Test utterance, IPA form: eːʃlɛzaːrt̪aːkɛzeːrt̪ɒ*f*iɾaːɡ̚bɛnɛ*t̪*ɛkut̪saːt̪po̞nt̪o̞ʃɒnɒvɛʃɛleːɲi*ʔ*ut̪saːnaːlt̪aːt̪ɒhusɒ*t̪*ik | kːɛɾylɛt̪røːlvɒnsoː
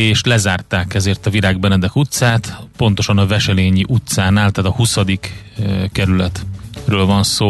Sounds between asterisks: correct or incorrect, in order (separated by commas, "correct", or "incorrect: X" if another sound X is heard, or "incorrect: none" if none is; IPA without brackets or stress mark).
incorrect: v, incorrect: d̪, correct, incorrect: d̪